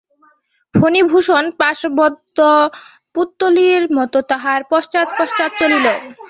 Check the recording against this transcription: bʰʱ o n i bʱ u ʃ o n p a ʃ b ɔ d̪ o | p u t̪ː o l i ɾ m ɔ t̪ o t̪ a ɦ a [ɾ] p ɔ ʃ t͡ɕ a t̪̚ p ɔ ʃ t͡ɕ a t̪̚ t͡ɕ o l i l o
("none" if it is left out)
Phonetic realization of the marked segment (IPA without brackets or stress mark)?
ɾ